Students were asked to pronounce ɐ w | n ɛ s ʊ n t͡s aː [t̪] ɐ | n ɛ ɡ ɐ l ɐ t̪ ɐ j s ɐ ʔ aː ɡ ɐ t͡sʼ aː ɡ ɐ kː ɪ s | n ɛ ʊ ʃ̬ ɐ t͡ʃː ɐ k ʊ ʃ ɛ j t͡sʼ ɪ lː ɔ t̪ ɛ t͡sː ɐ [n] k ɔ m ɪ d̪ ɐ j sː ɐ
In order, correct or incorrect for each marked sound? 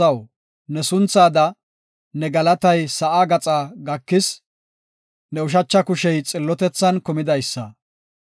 incorrect: d̪, correct

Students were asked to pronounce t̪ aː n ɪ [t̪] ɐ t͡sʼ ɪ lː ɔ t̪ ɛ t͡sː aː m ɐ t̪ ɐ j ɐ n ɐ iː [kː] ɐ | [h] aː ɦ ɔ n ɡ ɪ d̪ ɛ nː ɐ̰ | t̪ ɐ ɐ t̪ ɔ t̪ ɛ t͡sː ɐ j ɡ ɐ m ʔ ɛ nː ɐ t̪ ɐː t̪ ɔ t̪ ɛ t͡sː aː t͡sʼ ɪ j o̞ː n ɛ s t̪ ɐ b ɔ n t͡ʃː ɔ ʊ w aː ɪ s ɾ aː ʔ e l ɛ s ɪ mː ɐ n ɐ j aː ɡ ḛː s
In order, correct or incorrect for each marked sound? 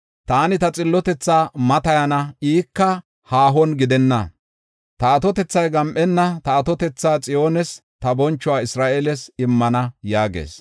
correct, correct, correct

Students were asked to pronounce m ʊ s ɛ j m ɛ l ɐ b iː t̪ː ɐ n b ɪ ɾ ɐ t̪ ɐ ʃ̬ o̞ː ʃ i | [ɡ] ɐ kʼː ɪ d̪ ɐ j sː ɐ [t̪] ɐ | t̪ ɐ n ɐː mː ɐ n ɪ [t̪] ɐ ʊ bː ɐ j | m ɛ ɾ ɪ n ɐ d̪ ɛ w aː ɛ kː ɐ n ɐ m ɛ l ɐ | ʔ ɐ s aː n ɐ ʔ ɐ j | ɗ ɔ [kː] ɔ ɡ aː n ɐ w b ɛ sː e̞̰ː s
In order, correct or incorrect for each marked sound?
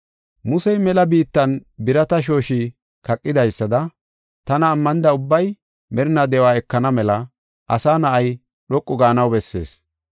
incorrect: k, incorrect: d̪, incorrect: d̪, incorrect: kʼː

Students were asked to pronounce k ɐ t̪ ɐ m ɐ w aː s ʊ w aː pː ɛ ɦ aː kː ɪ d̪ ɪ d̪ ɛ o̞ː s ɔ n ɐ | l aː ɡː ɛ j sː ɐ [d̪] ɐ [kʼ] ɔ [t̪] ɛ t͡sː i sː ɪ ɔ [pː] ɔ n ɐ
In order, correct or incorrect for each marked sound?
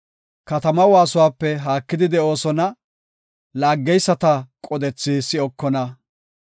incorrect: t̪, correct, incorrect: d̪, incorrect: kː

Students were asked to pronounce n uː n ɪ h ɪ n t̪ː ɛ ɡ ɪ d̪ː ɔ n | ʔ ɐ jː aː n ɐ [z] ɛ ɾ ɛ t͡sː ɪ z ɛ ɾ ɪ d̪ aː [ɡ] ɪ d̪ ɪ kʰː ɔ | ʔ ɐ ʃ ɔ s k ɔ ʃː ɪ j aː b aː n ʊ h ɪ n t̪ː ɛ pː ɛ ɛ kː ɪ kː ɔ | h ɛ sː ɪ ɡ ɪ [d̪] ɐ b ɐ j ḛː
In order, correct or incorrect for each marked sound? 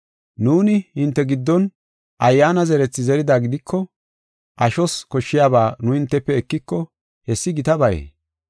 correct, correct, incorrect: t̪

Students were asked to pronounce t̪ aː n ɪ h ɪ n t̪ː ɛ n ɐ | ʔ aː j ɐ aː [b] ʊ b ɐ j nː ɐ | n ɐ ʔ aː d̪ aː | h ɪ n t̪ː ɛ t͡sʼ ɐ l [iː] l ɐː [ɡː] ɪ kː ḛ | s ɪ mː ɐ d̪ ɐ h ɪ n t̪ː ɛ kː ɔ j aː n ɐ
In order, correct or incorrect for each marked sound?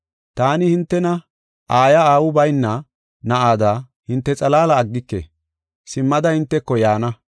incorrect: w, incorrect: aː, correct

